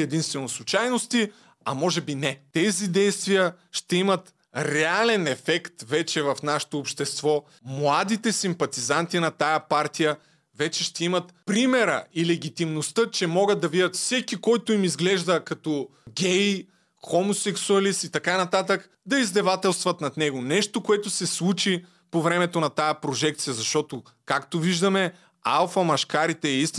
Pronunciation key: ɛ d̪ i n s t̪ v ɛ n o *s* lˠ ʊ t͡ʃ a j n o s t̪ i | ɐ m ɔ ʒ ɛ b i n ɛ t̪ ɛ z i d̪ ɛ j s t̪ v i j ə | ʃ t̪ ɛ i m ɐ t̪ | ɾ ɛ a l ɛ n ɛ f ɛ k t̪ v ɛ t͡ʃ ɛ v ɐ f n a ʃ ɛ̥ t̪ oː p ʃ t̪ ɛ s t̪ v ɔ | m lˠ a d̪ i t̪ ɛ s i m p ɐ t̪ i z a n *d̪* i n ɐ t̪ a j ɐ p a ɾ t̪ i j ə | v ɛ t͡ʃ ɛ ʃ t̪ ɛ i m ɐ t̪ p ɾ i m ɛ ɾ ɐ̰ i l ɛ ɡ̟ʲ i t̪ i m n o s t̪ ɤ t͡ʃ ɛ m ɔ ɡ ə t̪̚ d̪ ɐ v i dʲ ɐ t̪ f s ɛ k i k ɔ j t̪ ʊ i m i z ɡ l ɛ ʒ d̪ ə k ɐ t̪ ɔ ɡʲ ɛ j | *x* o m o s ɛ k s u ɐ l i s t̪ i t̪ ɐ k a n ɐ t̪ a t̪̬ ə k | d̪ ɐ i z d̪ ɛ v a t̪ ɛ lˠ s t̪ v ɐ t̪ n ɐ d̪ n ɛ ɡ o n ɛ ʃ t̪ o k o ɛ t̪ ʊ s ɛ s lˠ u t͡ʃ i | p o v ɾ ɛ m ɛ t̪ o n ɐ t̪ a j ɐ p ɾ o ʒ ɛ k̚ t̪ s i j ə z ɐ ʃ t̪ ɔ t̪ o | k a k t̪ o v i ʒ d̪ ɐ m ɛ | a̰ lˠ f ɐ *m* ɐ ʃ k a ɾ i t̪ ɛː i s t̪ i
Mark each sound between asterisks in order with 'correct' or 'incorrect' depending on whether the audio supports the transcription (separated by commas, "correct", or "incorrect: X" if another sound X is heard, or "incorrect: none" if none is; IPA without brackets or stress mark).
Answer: correct, incorrect: t̪, correct, correct